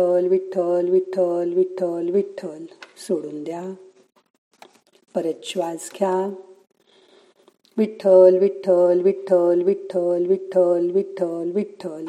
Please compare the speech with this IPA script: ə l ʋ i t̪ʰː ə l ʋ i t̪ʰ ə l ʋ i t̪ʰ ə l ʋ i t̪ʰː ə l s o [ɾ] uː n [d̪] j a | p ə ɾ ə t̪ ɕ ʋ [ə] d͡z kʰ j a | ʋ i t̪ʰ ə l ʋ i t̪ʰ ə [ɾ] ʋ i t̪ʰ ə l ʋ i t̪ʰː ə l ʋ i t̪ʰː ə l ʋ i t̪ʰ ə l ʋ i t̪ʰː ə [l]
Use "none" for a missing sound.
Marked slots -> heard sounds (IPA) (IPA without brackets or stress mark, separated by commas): ɽ, d̪, a, l, l